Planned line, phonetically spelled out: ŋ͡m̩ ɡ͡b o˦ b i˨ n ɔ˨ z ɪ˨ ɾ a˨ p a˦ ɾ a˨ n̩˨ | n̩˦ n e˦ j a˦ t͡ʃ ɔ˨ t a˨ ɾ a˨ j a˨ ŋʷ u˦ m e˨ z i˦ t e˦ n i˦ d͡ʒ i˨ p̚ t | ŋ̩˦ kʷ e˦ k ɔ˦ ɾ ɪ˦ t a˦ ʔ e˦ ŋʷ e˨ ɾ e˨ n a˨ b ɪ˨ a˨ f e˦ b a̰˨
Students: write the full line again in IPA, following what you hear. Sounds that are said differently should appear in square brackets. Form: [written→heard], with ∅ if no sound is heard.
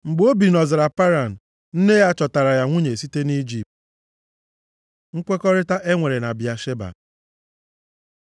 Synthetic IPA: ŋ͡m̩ ɡ͡b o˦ b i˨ n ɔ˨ z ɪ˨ ɾ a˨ p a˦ ɾ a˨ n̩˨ | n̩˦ n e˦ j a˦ t͡ʃ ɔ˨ t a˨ ɾ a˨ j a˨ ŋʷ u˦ [m→ɲ] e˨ [z→s] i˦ t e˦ n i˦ d͡ʒ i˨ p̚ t | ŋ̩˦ kʷ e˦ k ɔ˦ ɾ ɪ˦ t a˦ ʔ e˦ ŋʷ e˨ ɾ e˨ n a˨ b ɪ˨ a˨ [f→ʃ] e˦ b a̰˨